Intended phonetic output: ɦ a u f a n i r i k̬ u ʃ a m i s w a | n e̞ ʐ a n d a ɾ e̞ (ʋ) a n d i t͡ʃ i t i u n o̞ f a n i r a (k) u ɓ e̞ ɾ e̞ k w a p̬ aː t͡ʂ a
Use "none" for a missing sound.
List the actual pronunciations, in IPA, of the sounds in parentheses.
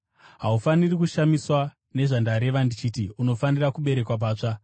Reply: ʋ, k

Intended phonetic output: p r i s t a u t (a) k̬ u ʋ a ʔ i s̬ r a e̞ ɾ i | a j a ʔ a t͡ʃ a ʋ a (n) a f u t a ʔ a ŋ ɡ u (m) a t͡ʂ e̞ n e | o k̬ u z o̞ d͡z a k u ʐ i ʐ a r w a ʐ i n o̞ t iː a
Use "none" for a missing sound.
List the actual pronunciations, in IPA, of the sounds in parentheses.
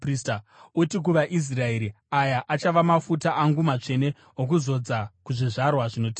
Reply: i, m, m

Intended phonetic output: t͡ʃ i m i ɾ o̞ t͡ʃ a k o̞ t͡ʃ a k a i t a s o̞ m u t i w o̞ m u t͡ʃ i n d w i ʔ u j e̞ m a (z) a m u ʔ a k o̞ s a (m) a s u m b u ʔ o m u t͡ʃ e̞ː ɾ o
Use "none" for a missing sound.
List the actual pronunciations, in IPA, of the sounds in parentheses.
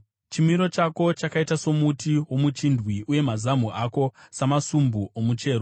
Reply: z, m

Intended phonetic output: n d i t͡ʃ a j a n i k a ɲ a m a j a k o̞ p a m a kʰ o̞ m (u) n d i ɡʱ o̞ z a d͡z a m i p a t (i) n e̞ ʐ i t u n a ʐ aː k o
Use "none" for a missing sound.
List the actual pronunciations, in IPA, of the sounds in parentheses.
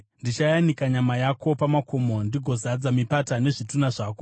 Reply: o, a

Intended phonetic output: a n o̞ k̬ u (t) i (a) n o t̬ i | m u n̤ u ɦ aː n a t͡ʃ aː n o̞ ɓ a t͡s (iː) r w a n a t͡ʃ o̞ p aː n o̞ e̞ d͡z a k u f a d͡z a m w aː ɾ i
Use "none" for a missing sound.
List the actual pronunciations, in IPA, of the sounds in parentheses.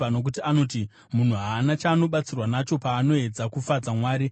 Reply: t, a, i

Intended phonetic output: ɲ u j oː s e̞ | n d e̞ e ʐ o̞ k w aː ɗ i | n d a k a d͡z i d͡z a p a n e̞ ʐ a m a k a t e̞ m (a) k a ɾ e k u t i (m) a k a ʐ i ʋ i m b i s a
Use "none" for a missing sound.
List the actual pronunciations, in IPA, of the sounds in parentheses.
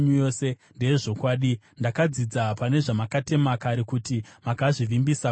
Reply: a, m

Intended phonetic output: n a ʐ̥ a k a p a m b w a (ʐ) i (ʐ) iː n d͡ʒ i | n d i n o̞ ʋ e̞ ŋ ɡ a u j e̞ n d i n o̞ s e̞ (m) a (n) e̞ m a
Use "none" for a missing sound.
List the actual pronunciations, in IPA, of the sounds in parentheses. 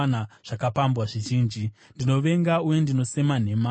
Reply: ʐ, ʒ, m, n

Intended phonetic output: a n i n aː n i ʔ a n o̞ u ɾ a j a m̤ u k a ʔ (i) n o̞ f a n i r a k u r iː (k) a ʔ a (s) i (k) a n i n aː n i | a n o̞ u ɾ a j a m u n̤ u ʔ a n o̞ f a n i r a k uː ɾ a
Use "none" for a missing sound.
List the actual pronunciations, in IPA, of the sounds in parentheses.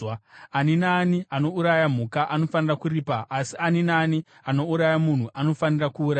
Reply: a, p, s, none

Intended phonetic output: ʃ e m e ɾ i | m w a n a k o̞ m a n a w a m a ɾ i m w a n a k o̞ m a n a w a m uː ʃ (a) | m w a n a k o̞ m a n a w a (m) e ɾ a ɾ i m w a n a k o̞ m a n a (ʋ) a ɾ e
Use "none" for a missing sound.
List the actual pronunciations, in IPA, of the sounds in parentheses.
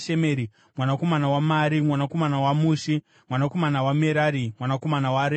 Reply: i, m, w

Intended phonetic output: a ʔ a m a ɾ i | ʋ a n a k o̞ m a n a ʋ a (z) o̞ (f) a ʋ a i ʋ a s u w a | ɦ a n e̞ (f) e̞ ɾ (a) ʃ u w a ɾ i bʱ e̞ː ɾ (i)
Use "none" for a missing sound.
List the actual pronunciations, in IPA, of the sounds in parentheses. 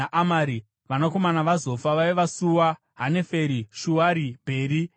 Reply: z, f, f, i, i

